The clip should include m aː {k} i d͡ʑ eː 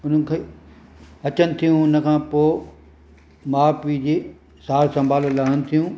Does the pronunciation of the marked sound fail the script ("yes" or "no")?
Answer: yes